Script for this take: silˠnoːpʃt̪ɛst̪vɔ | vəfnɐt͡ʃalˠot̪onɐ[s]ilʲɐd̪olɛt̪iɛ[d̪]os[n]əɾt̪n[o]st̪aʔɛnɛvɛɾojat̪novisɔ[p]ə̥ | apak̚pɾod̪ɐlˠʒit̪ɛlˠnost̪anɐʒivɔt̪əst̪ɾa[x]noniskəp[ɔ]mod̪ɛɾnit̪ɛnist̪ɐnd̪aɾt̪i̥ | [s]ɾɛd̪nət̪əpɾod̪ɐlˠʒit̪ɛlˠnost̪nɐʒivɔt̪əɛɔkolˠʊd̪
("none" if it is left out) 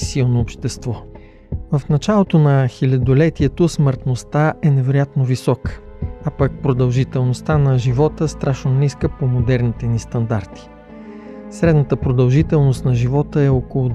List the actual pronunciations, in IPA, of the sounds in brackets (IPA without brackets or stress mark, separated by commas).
x, t̪, m, o, k, ʃ, o, s